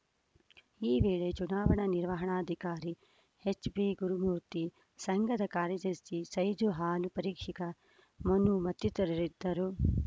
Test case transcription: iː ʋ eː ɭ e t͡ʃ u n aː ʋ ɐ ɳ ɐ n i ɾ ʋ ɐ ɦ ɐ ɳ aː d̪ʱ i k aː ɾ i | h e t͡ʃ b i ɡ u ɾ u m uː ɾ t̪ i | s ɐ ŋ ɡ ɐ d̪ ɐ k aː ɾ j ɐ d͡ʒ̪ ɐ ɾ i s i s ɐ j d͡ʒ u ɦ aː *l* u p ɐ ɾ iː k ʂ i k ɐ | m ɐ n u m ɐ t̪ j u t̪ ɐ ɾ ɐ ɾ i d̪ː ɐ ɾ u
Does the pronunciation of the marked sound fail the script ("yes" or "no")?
no